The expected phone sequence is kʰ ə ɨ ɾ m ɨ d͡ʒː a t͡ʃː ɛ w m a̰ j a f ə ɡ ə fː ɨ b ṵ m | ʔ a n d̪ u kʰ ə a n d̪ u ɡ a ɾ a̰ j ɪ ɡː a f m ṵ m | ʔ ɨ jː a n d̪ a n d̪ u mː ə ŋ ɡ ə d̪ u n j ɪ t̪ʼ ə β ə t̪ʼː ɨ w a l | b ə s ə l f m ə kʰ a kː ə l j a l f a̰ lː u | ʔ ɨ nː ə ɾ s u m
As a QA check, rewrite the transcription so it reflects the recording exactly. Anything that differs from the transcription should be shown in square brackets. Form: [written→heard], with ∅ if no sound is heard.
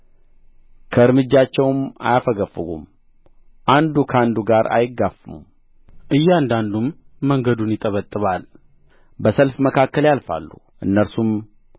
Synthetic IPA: kʰ ə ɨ ɾ m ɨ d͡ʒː a t͡ʃː ɛ w m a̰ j a f ə ɡ ə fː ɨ [b→ɡ] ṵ m | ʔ a n d̪ u kʰ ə a n d̪ u ɡ a ɾ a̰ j ɪ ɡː a f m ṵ m | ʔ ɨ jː a n d̪ a n d̪ u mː ə ŋ ɡ ə d̪ u n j ɪ t̪ʼ ə β ə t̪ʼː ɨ [w→β] a l | b ə s ə l f m ə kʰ a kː ə l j a l f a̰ lː u | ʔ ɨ nː ə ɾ s u m